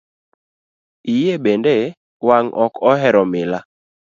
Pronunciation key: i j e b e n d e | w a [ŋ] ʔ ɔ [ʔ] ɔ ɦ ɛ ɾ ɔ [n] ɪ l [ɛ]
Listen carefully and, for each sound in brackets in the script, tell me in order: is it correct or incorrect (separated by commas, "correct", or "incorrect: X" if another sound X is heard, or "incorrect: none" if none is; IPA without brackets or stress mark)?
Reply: correct, incorrect: k, incorrect: m, incorrect: a